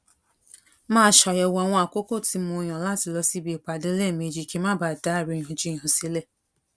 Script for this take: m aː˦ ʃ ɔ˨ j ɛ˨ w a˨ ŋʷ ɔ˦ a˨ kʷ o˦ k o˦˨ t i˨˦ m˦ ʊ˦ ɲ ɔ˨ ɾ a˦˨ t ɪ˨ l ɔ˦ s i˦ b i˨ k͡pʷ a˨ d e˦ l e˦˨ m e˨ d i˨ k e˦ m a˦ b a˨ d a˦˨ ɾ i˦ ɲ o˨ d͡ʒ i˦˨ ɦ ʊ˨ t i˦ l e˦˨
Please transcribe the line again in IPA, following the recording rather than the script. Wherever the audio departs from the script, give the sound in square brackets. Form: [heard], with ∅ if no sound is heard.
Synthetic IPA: m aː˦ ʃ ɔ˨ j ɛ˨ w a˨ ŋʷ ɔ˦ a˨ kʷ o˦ k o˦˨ t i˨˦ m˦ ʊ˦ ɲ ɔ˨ [l] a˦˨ t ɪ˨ l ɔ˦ s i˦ b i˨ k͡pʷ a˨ d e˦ l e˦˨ m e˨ [d͡ʒ] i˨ k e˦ m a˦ b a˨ d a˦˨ ɾ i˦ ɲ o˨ d͡ʒ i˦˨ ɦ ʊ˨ [s] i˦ l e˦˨